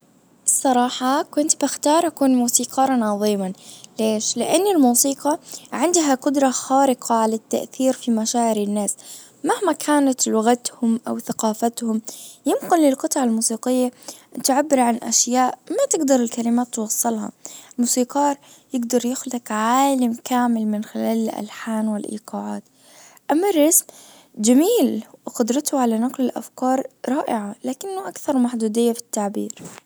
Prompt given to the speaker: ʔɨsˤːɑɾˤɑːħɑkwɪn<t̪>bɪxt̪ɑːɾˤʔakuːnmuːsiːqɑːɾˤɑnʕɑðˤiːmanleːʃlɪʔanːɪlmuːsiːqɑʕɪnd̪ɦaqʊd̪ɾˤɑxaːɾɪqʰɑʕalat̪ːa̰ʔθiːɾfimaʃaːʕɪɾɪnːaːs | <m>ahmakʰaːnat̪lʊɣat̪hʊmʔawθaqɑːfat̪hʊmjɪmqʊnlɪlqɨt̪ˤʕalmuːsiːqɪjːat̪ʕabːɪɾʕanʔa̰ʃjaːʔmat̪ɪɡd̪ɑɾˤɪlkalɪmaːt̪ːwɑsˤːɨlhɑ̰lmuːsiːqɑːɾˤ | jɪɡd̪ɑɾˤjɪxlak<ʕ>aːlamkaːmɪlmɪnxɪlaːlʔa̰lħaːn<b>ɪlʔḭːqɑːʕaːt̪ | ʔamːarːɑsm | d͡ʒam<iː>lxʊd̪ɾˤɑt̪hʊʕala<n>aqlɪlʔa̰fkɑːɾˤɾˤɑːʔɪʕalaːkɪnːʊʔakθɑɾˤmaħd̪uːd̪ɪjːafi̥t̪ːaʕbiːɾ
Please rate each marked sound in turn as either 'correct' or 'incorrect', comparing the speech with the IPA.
correct, correct, correct, incorrect: w, correct, correct

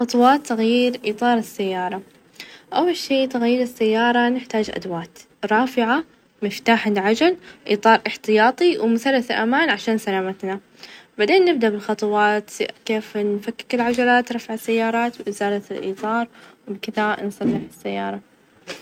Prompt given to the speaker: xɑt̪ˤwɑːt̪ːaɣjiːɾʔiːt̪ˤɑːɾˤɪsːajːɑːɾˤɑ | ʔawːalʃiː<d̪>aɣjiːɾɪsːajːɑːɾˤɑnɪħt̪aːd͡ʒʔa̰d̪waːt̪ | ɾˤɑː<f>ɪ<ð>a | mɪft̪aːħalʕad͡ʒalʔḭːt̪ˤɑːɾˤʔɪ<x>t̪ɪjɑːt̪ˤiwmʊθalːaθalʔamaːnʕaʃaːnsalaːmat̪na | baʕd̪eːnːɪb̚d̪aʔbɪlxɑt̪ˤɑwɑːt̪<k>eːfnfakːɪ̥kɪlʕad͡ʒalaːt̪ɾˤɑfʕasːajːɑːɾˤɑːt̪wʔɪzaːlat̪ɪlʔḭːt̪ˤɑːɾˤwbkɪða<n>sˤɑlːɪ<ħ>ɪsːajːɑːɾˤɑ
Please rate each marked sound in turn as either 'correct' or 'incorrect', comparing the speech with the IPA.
incorrect: t̪, correct, incorrect: ʕ, incorrect: ħ, correct, correct, correct

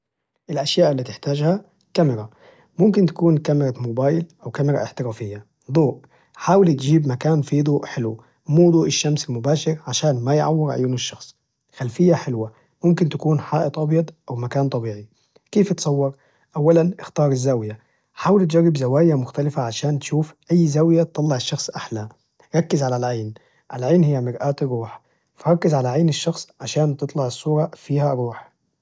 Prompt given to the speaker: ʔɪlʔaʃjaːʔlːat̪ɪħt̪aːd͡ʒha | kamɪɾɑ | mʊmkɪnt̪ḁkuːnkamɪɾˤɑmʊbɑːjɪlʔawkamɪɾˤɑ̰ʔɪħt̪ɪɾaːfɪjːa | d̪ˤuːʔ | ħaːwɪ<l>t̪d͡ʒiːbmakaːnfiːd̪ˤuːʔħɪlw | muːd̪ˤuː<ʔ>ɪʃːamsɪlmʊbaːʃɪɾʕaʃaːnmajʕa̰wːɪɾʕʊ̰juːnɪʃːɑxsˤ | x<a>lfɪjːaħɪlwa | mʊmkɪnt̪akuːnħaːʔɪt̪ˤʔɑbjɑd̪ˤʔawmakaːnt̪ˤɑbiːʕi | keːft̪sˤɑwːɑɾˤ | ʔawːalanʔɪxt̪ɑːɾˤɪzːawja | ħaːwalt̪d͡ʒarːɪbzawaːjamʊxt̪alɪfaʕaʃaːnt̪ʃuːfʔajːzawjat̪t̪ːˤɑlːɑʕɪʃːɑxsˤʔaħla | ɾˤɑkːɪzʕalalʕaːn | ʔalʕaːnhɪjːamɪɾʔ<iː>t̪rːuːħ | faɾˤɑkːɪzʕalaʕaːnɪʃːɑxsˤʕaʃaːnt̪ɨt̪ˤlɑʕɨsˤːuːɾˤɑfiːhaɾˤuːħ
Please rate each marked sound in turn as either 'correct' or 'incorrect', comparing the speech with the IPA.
correct, correct, correct, incorrect: aː

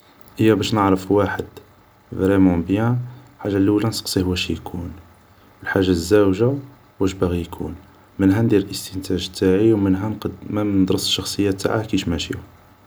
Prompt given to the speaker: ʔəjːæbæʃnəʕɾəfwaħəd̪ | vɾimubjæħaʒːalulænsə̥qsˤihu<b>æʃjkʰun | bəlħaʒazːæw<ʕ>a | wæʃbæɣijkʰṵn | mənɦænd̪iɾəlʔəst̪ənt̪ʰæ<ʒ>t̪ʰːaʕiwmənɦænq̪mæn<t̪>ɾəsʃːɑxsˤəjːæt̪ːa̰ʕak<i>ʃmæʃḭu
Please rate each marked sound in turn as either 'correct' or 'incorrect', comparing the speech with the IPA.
incorrect: w, incorrect: ʒ, correct, incorrect: d̪, correct

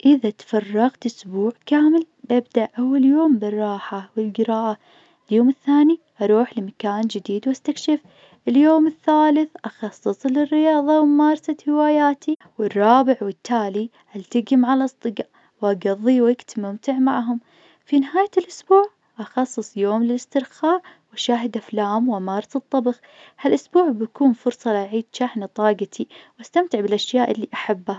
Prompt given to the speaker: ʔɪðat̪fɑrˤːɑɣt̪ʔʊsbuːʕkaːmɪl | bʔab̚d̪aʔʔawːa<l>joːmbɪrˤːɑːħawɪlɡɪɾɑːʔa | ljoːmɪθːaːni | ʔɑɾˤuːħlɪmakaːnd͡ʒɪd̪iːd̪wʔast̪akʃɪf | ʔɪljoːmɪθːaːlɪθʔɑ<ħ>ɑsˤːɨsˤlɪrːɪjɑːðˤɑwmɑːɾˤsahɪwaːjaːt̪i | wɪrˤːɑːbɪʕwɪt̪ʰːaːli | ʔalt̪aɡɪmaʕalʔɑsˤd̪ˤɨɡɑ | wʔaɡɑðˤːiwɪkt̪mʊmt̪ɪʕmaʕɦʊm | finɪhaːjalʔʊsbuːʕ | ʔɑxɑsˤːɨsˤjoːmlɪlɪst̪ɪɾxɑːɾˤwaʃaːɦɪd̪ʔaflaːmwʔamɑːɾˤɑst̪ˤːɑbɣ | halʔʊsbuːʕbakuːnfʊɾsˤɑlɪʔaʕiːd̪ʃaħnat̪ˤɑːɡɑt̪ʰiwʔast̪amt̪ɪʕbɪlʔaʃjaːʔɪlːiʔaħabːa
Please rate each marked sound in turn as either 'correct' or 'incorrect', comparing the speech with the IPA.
correct, incorrect: x

